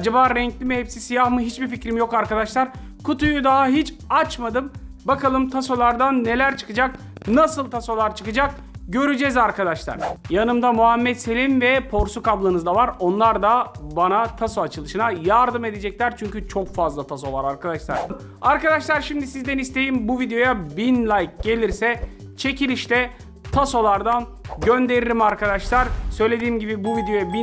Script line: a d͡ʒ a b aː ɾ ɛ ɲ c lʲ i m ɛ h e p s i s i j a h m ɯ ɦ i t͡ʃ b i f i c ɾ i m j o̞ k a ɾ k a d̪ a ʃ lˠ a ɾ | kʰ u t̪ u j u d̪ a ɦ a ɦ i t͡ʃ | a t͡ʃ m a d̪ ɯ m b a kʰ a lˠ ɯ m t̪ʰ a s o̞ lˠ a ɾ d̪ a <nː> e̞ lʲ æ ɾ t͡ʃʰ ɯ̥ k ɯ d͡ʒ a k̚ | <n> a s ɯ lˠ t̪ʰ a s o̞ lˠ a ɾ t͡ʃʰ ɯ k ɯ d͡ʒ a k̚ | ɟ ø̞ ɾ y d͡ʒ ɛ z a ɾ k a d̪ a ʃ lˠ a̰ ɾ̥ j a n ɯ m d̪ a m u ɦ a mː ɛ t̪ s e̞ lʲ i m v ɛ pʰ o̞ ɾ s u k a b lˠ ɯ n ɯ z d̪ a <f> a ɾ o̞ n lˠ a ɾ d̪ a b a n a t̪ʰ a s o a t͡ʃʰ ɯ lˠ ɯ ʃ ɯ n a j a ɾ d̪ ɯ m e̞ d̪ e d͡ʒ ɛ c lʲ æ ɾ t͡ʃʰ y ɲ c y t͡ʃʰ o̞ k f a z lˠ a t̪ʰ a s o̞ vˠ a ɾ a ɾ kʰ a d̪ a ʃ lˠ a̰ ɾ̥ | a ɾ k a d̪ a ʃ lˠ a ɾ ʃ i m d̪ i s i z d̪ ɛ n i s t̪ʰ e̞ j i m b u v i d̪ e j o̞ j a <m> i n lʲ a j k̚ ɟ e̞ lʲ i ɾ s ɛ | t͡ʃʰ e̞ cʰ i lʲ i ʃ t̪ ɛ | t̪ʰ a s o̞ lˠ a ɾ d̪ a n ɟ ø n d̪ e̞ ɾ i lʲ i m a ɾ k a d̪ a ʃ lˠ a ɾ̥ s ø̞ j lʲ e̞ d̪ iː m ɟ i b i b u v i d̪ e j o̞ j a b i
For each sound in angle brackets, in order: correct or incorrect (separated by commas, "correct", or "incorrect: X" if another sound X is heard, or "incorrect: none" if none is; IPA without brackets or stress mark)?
correct, correct, incorrect: v, incorrect: b